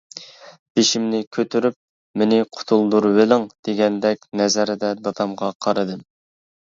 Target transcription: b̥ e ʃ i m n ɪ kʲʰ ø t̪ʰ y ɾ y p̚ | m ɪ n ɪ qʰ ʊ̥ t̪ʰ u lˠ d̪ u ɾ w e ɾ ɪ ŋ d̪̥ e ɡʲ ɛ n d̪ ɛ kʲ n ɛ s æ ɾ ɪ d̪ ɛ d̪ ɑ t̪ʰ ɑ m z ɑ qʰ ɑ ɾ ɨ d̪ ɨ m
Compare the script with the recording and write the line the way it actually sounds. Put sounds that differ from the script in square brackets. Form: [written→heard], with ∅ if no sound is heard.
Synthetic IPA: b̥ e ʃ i m n ɪ kʲʰ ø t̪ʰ y ɾ y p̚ | m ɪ n ɪ qʰ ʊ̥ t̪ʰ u lˠ d̪ u ɾ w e [ɾ→l] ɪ ŋ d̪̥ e ɡʲ ɛ n d̪ ɛ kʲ n ɛ [s→z] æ ɾ ɪ d̪ ɛ d̪ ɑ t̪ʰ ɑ m [z→ʁ] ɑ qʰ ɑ ɾ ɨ d̪ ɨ m